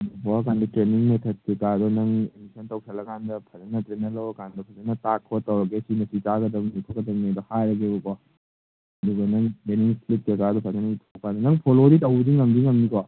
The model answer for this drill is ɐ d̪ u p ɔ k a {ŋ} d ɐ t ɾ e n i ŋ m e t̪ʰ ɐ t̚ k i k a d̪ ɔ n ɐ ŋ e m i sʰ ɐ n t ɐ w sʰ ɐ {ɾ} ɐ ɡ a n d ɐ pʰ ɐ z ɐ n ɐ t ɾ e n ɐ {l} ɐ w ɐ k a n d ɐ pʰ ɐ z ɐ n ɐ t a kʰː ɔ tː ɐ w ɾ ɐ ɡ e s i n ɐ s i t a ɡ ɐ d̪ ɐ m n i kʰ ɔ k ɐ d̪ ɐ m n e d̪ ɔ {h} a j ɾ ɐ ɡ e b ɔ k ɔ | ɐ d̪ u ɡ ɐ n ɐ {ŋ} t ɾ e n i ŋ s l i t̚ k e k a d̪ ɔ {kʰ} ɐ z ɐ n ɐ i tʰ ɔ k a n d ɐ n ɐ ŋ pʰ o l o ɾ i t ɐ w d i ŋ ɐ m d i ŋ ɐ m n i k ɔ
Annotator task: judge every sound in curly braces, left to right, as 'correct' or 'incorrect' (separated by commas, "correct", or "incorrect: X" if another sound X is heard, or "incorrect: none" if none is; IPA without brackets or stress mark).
incorrect: n, incorrect: l, correct, correct, correct, incorrect: pʰ